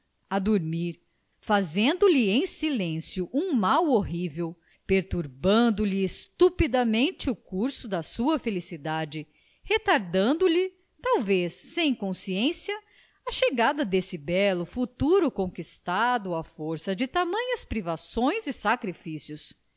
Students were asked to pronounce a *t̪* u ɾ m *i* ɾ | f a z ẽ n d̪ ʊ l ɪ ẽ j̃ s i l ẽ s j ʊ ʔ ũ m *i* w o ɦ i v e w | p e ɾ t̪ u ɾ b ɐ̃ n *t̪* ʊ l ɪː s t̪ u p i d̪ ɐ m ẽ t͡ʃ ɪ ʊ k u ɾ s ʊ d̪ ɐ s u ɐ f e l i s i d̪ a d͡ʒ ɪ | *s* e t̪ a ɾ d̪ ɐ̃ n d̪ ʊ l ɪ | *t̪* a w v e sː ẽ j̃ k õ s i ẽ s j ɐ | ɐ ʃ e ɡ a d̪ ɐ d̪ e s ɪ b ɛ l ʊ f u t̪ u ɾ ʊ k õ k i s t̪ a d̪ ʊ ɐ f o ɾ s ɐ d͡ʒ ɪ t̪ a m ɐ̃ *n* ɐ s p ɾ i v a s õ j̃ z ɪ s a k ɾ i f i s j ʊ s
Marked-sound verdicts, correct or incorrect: incorrect: d̪, correct, incorrect: a, incorrect: d̪, incorrect: h, correct, incorrect: ɲ

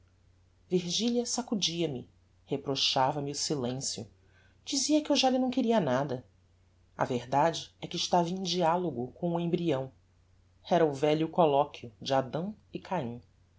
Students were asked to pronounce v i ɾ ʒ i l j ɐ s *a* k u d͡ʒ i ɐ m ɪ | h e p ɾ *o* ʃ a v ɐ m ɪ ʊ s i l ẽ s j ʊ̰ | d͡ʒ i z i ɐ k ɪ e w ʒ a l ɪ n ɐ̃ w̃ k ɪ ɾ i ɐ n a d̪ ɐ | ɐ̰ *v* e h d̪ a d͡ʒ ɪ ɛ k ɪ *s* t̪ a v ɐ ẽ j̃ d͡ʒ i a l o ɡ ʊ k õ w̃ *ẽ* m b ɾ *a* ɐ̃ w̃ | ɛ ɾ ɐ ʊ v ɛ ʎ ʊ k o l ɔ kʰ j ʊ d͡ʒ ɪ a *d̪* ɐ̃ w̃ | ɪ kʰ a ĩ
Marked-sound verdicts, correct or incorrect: correct, correct, correct, incorrect: ʃ, correct, incorrect: i, correct

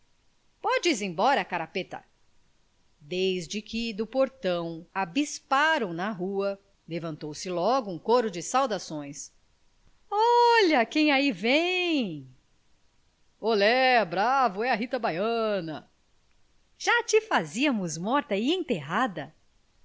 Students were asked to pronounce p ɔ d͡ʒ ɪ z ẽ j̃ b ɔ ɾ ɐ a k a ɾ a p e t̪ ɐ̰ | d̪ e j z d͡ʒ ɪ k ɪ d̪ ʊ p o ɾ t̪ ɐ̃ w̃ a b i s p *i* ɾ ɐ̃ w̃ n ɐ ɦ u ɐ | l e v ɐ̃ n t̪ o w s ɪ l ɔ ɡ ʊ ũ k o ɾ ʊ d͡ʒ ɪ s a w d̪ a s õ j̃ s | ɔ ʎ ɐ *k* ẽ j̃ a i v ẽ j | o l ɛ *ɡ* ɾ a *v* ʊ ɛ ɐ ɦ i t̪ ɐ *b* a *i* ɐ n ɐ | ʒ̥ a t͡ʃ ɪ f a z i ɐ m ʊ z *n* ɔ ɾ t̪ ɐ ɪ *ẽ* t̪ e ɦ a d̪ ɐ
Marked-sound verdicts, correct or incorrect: incorrect: a, correct, incorrect: b, correct, correct, incorrect: j, incorrect: m, correct

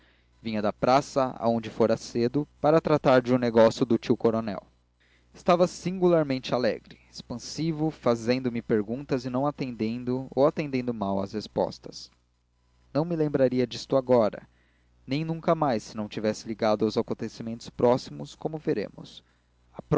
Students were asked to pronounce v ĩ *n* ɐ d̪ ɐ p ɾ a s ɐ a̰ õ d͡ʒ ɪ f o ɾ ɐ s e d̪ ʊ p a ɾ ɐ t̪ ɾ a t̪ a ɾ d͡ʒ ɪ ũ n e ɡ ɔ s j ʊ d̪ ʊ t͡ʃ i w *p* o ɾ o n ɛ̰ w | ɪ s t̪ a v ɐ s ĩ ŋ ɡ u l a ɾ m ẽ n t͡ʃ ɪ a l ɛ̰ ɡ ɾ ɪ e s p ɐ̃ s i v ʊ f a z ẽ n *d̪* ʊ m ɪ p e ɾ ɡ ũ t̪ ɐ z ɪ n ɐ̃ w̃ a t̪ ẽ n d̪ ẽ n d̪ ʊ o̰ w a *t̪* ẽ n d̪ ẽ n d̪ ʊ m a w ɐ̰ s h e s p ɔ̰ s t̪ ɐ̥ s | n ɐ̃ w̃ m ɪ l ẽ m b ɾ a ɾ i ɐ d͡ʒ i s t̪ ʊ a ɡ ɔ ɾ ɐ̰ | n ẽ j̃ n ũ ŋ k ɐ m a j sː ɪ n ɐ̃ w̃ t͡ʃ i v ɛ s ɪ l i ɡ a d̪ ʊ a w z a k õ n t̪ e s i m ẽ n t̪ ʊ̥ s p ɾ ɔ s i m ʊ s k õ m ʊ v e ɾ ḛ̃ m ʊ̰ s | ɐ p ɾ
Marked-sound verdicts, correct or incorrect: incorrect: ɲ, incorrect: k, correct, correct

